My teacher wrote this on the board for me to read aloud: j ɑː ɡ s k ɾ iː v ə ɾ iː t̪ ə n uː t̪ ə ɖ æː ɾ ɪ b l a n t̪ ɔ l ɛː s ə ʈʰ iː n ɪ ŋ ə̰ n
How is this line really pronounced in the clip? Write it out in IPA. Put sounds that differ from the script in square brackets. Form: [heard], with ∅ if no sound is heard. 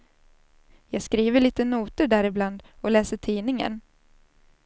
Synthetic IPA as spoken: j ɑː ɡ s k ɾ iː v ə [ɭ] iː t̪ ə n uː t̪ ə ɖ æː ɾ ɪ b l a n [d̪] ɔ l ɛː s ə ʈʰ iː n ɪ ŋ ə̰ n